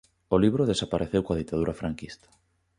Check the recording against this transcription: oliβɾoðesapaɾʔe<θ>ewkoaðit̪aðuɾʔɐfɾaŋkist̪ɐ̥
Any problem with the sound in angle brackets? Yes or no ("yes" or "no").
no